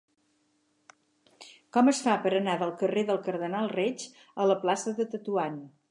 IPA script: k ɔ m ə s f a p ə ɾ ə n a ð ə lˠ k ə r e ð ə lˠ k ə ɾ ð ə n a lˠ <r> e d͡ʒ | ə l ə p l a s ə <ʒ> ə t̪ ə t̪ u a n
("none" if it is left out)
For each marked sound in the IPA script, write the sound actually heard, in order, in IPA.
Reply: r, ð

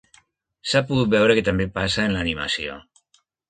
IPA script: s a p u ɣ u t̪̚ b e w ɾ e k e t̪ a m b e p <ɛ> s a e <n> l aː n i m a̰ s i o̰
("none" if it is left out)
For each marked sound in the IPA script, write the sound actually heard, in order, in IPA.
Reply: a, n

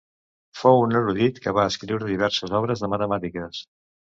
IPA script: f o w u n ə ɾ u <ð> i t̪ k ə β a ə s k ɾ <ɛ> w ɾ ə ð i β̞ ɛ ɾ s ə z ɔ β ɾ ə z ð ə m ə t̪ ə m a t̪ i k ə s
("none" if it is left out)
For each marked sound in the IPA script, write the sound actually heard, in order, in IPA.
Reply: ð, i

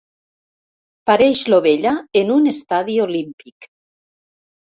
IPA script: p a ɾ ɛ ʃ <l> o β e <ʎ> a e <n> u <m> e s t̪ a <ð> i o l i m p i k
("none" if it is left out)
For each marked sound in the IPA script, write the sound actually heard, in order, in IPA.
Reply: l, ʎ, n, n, ð

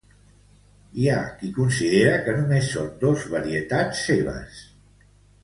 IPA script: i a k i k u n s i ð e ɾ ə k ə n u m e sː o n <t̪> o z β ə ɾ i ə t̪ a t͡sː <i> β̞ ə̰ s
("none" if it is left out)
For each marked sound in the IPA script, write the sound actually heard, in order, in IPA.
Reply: d̪, e

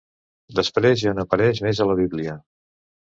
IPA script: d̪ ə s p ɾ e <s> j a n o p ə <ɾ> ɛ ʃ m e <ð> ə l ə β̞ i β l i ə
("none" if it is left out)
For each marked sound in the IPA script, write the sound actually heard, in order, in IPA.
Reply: z, ɾ, z

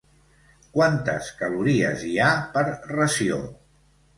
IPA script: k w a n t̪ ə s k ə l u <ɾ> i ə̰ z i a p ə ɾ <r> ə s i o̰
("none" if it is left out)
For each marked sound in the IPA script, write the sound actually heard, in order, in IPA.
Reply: ɾ, r

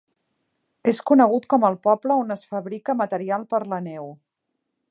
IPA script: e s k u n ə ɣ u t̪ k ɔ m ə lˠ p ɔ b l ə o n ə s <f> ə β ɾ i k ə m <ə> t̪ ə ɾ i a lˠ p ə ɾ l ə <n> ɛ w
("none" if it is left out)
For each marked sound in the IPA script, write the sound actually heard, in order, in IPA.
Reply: f, ə, n

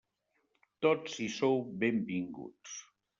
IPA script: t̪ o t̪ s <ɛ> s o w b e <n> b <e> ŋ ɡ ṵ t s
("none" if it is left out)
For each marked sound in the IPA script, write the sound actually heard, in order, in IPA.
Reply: i, m, i

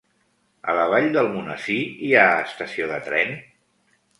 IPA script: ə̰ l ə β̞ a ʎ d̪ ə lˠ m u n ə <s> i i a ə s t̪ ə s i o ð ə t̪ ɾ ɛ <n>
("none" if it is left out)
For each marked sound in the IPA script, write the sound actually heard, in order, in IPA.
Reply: s, n

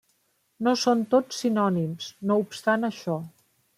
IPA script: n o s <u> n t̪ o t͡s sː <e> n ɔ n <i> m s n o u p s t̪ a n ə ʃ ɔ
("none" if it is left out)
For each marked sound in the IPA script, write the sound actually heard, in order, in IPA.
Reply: o, i, i

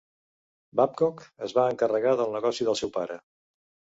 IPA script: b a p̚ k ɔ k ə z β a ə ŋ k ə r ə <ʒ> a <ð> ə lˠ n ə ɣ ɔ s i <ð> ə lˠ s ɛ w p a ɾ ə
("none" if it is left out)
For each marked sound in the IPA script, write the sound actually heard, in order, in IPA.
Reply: ɣ, ð, ð

